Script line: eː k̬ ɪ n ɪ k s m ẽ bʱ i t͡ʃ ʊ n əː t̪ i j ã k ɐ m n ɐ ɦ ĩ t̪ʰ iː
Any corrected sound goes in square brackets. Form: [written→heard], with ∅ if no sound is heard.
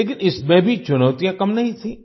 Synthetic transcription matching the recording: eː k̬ ɪ n ɪ [k→∅] s m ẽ bʱ i t͡ʃ ʊ n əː t̪ i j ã k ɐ m n ɐ ɦ ĩ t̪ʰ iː